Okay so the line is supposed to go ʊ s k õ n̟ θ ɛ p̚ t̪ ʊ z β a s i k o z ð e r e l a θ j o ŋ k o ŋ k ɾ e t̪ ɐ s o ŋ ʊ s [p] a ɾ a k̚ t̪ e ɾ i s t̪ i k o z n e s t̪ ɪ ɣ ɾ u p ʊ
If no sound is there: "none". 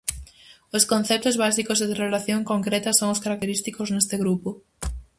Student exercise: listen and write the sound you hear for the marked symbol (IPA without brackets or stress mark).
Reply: k